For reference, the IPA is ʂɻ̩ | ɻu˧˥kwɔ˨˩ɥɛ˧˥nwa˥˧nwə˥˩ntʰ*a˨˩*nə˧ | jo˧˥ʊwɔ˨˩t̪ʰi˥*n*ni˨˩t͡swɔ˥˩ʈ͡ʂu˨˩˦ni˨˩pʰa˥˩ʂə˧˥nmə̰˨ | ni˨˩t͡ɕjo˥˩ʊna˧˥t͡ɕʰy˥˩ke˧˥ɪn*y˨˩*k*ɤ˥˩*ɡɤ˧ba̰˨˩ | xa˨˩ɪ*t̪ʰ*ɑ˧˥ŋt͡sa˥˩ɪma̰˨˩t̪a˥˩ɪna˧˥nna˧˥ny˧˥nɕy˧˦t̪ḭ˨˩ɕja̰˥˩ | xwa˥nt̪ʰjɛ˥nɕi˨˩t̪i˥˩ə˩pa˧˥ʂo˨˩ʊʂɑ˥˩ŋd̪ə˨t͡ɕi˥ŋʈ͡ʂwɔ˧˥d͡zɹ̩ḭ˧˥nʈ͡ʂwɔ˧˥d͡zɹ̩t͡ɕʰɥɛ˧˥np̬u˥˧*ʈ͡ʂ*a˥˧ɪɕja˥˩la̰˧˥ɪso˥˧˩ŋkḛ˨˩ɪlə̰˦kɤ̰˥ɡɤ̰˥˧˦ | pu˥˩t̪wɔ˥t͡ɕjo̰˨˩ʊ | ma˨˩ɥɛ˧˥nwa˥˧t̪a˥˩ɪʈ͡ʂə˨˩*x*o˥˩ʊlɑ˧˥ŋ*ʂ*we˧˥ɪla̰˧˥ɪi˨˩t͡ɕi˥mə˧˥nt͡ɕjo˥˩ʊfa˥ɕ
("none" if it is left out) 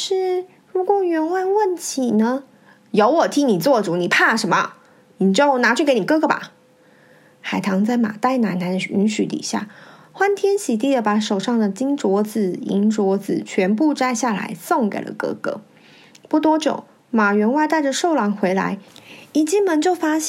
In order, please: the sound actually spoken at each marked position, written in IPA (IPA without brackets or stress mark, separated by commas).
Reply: i˨˩, ŋ, i˨˩, ɤ˥, t̪ʰ, ʈ͡ʂ, ʂ, x